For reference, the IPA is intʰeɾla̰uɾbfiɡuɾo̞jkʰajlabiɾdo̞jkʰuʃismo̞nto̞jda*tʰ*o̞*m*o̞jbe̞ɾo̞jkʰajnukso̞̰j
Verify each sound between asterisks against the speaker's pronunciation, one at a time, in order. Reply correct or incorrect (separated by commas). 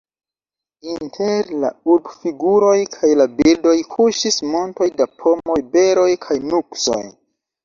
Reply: incorrect, correct